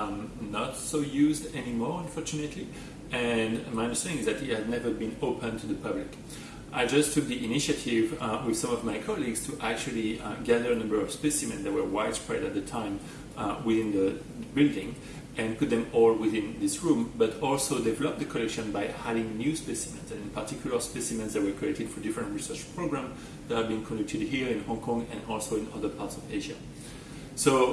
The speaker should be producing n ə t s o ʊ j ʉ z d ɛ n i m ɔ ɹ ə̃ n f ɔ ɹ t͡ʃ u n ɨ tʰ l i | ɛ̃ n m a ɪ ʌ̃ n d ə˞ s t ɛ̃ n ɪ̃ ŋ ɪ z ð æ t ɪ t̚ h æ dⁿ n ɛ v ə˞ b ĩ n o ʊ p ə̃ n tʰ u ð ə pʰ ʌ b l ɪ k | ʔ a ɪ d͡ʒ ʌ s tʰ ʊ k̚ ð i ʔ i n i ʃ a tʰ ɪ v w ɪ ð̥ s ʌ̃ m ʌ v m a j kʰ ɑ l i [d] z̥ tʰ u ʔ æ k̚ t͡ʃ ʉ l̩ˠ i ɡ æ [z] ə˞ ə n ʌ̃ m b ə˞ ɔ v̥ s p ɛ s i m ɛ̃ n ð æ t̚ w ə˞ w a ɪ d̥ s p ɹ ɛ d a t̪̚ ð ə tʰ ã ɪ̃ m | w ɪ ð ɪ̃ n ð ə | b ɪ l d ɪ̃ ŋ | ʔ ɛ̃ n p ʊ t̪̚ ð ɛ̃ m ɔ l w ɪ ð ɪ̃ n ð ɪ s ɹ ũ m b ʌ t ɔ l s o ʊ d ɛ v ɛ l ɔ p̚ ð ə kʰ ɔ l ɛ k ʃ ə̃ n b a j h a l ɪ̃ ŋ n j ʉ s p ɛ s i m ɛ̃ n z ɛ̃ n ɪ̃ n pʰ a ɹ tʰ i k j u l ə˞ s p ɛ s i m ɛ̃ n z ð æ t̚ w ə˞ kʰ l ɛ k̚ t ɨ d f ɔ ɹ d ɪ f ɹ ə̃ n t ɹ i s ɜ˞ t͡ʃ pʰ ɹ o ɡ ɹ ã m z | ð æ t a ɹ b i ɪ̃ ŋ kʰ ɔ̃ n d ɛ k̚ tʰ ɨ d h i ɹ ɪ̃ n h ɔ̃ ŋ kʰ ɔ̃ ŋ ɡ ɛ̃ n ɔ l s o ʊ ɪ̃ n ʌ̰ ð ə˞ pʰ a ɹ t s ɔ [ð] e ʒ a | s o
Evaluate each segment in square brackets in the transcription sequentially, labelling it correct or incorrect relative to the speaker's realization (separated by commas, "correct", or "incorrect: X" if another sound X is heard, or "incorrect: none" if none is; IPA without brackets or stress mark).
incorrect: ɡ, incorrect: ð, incorrect: v